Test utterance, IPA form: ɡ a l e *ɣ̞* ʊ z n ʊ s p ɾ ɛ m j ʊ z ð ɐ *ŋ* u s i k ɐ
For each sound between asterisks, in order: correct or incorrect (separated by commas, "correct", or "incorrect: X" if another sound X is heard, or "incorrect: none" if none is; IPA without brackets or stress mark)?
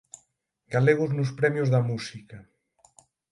correct, incorrect: m